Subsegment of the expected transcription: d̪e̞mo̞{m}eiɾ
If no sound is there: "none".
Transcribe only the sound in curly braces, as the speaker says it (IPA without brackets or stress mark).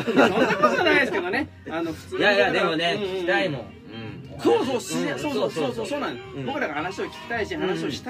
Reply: n